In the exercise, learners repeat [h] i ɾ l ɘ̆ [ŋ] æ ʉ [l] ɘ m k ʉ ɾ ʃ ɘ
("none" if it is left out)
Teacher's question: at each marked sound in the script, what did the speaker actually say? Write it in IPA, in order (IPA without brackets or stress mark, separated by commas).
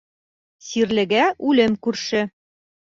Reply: s, ɡ, l